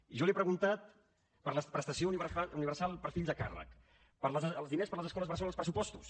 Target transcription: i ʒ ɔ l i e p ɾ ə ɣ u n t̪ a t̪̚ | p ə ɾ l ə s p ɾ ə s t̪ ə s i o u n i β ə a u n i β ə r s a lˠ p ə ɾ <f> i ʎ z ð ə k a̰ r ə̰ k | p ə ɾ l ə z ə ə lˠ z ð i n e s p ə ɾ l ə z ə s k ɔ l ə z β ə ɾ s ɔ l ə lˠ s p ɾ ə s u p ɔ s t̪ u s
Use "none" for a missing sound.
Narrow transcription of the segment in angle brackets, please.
f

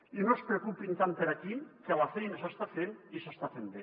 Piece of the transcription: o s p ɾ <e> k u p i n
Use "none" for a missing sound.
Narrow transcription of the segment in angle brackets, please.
e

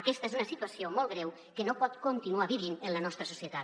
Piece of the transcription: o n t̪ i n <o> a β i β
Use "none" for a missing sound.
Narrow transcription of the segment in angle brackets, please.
u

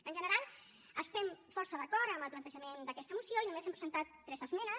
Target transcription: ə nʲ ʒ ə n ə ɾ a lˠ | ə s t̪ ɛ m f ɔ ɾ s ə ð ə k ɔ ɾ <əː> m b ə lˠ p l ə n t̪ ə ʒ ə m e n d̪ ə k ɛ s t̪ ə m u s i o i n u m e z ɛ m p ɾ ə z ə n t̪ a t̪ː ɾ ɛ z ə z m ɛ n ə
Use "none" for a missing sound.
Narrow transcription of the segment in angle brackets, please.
ə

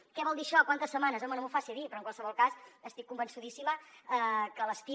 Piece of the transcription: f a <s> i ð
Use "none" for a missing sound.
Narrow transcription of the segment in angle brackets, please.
s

